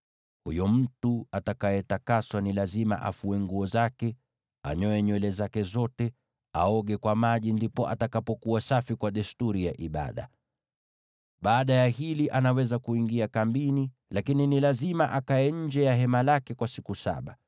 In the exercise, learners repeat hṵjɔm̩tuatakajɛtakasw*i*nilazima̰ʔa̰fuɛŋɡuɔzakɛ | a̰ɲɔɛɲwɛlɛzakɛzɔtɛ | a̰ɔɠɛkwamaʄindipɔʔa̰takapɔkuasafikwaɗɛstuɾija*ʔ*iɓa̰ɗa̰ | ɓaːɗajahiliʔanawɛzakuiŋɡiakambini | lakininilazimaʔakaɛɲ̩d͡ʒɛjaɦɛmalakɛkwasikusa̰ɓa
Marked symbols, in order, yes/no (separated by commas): no, yes